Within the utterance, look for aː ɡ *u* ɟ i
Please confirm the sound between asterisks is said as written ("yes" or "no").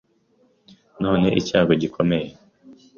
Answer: no